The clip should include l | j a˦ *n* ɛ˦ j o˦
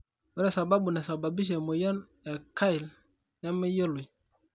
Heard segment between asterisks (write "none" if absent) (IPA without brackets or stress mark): m